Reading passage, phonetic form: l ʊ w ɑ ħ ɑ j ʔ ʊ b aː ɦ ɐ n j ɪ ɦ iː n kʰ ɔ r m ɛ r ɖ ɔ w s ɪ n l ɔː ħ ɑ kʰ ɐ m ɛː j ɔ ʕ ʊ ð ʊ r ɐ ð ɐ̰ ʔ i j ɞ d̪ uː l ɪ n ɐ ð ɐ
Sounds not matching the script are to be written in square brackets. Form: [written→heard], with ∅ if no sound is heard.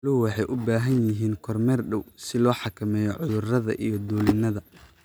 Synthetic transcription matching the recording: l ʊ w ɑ ħ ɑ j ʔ ʊ b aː ɦ ɐ n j ɪ ɦ iː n kʰ ɔ r m ɛ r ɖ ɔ w s ɪ [n→∅] l ɔː ħ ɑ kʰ ɐ m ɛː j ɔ ʕ ʊ ð ʊ r ɐ ð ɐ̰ ʔ i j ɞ d̪ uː l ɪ n ɐ ð ɐ

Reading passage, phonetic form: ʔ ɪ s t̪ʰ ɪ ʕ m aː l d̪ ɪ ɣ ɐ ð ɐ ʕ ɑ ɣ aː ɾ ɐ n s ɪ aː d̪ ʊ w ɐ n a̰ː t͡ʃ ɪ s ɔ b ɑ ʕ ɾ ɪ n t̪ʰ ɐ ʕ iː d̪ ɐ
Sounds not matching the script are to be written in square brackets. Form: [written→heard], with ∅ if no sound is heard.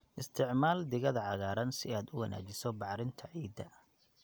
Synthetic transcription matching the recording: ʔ ɪ s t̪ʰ ɪ ʕ m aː l d̪ ɪ ɣ ɐ ð ɐ ʕ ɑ ɣ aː ɾ ɐ n s ɪ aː d̪ ʊ w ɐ n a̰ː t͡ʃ ɪ s ɔ b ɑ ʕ ɾ ɪ n t̪ʰ ɐ ʕ iː d̪ ɐ

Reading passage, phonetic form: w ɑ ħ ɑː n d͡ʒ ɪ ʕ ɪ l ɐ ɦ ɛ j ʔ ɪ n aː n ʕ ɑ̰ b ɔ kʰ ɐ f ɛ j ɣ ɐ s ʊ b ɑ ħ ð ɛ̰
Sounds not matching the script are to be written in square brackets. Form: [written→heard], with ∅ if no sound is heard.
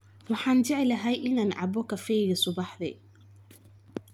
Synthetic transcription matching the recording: w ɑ ħ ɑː n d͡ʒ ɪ ʕ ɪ l ɐ ɦ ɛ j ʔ ɪ n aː n ʕ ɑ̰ b ɔ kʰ ɐ f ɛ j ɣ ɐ s ʊ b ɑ ħ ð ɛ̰

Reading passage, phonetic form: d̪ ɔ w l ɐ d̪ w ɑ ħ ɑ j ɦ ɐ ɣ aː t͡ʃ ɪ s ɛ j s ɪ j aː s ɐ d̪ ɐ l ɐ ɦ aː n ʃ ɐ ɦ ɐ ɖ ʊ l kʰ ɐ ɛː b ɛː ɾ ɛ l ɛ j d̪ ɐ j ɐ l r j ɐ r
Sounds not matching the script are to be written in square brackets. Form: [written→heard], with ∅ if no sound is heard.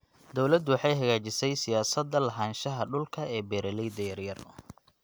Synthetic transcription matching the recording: d̪ ɔ w l ɐ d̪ w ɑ ħ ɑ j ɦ ɐ ɣ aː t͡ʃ ɪ s ɛ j s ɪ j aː s ɐ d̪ ɐ l ɐ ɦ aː n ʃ ɐ ɦ ɐ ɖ ʊ l kʰ ɐ ɛː b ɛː ɾ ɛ l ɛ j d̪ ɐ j ɐ [l→∅] r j ɐ r

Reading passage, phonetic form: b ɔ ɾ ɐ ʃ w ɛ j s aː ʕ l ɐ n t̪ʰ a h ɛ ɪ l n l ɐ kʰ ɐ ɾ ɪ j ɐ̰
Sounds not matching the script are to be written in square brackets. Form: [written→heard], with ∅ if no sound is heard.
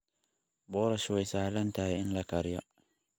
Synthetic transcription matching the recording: b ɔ ɾ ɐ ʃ w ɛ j s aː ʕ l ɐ n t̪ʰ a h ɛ ɪ [l→∅] n l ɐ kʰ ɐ ɾ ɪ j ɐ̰

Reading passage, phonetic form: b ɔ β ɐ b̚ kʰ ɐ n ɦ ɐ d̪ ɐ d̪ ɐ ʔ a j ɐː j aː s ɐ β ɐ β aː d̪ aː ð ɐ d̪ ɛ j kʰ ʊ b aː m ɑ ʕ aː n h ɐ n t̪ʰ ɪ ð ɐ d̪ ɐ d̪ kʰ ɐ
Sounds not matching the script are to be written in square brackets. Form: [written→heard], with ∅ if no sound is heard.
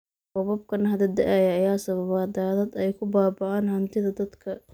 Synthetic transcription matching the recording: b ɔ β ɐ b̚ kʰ ɐ n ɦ ɐ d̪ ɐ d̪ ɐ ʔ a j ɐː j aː s ɐ β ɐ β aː d̪ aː ð ɐ d̪ ɛ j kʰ ʊ b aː [m→b] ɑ ʕ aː n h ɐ n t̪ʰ ɪ ð ɐ d̪ ɐ d̪ kʰ ɐ

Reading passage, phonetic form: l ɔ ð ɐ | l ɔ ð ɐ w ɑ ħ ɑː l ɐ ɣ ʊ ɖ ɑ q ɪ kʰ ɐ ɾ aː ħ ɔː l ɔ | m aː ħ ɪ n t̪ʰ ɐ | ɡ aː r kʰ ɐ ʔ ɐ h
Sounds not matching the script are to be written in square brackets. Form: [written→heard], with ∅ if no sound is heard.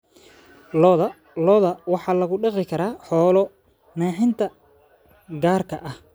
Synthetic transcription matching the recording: l ɔ ð ɐ | l ɔ ð ɐ w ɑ ħ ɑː l ɐ ɣ ʊ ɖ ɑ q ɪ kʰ ɐ ɾ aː ħ ɔː l ɔ | [m→n] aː ħ ɪ n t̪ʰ ɐ | ɡ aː r kʰ ɐ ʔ ɐ h

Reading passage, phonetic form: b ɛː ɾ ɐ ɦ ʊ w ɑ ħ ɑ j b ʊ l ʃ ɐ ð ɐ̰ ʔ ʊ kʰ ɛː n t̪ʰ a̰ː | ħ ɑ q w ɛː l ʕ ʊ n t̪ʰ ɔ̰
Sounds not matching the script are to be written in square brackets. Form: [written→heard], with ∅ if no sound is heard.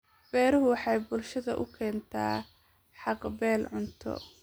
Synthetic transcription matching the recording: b ɛː ɾ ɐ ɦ ʊ w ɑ ħ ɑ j b ʊ l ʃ ɐ ð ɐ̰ ʔ ʊ kʰ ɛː n t̪ʰ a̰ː | ħ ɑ q [w→b] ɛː l ʕ ʊ n t̪ʰ ɔ̰

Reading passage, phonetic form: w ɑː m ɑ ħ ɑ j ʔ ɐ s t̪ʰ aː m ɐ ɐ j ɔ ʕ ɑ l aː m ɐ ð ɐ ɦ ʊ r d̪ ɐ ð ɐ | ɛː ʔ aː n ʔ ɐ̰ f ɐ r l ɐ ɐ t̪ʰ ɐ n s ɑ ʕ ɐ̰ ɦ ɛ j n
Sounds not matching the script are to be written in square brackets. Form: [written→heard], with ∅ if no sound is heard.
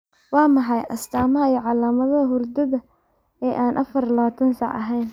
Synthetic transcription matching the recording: w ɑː m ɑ ħ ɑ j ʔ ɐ s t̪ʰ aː m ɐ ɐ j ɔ ʕ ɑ l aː m ɐ ð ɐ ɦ ʊ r d̪ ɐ ð ɐ | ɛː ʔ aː n ʔ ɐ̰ f ɐ r l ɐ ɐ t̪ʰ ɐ n s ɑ ʕ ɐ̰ ɦ ɛ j n

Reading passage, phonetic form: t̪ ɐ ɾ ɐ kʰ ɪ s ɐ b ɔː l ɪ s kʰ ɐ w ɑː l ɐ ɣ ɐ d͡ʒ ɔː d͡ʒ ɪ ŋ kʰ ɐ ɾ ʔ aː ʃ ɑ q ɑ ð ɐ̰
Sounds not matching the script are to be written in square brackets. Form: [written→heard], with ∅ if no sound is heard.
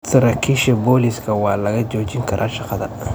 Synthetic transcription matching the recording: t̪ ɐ ɾ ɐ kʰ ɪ [s→ʃ] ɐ b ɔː l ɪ s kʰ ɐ w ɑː l ɐ ɣ ɐ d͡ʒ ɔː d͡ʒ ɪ ŋ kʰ ɐ ɾ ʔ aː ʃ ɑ q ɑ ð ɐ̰

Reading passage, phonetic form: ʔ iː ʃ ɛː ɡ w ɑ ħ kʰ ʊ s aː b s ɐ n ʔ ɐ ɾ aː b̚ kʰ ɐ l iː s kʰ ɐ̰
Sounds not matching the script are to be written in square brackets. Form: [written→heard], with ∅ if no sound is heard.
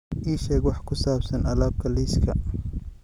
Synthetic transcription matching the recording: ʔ iː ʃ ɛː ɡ w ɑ ħ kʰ ʊ s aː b s ɐ n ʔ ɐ [ɾ→l] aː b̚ kʰ ɐ l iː s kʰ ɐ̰

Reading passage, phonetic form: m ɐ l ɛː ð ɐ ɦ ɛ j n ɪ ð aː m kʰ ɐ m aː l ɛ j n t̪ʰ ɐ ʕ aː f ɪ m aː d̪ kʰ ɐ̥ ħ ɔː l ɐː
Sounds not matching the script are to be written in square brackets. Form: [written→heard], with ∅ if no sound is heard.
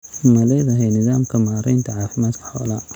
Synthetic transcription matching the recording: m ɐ l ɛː ð ɐ ɦ ɛ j n ɪ ð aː m kʰ ɐ m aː [l→ɾ] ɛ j n t̪ʰ ɐ ʕ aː f ɪ m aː d̪ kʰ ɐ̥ ħ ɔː l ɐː

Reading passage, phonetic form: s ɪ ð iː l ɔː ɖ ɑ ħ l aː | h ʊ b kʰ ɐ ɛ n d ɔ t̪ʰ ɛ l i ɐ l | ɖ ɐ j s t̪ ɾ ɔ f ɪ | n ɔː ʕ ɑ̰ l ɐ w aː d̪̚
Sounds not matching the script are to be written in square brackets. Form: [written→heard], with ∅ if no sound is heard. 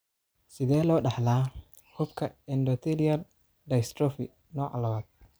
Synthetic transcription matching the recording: s ɪ ð [iː→ɛː] l ɔː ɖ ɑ ħ l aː | h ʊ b kʰ ɐ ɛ n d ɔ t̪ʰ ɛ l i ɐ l | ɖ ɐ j s t̪ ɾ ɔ f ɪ | n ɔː ʕ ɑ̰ l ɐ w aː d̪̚

